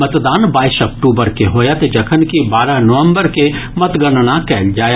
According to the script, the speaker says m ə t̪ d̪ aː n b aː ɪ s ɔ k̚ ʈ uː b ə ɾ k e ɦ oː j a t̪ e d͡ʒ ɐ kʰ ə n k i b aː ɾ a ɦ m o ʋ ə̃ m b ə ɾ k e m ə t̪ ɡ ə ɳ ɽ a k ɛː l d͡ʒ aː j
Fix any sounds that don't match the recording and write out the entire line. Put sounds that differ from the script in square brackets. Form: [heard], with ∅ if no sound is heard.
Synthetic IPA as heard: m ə t̪ d̪ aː n b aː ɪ s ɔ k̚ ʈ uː b ə ɾ k e ɦ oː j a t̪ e d͡ʒ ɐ kʰ ə n k i b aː ɾ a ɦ [n] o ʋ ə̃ m b ə ɾ k e m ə t̪ ɡ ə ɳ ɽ a k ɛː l d͡ʒ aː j